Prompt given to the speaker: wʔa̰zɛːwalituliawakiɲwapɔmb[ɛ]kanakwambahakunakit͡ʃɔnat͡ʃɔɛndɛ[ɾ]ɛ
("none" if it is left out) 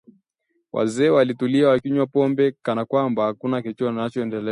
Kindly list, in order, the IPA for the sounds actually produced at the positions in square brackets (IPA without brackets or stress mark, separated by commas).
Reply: ɛ, l